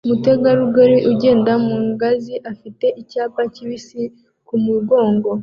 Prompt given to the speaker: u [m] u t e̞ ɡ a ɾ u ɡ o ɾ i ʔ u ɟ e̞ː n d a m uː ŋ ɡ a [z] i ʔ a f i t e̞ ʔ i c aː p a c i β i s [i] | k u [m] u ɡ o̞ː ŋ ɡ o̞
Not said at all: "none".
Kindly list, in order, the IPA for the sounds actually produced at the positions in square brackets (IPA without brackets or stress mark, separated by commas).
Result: m, z, i, m